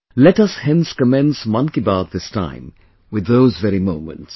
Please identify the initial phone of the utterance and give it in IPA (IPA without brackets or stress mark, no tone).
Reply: l